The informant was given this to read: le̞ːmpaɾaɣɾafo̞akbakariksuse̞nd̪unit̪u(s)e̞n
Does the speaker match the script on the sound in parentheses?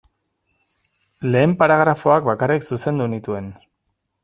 no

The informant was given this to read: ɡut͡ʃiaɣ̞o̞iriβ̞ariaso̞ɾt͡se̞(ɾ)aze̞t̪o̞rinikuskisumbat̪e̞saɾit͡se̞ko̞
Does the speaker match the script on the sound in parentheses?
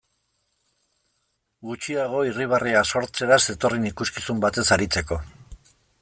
yes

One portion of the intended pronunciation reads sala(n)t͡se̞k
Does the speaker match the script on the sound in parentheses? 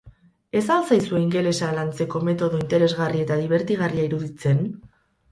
yes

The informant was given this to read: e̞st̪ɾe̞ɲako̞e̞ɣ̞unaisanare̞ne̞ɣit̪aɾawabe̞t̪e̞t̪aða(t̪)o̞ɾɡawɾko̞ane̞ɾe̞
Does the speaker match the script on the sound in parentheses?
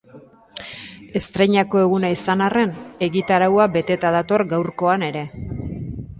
yes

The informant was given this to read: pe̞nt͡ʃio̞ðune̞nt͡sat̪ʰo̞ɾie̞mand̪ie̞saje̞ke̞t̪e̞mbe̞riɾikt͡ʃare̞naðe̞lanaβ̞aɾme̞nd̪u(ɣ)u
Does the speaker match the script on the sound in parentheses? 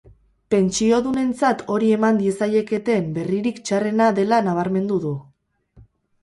no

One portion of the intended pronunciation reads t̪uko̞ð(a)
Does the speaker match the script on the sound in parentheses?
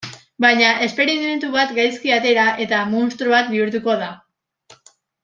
yes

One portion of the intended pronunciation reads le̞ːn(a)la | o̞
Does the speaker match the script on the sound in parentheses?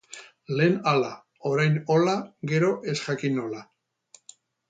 yes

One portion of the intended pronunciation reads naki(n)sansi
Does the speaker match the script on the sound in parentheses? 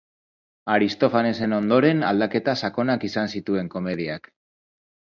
no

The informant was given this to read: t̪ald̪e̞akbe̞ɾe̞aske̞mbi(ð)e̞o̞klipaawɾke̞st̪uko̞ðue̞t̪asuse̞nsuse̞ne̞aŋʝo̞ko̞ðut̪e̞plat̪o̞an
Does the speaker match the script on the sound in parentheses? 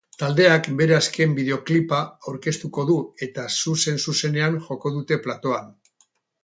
yes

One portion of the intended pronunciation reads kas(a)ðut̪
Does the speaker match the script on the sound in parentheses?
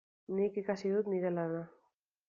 no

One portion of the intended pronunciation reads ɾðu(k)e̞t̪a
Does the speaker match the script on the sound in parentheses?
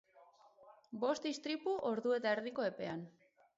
no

